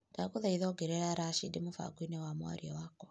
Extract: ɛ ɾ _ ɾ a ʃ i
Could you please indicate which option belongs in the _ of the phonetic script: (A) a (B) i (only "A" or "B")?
A